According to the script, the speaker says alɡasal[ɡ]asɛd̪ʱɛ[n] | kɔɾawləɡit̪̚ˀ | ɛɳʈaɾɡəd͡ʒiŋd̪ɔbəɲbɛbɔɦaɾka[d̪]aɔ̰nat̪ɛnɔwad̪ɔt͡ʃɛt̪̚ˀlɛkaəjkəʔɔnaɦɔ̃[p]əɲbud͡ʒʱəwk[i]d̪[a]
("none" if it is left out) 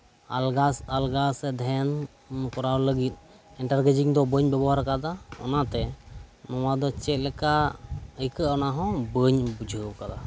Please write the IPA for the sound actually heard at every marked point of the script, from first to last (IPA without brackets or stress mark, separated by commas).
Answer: ɡ, n, d̪, b, a, a